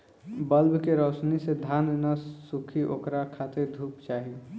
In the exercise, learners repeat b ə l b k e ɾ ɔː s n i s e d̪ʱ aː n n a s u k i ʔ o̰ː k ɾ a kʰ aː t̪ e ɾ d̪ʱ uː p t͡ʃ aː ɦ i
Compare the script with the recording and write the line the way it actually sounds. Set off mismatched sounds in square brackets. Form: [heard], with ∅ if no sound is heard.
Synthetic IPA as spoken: b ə l b k e ɾ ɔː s n i s e d̪ʱ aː n n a s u [kʰ] i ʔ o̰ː k ɾ a kʰ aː t̪ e ɾ d̪ʱ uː p t͡ʃ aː ɦ i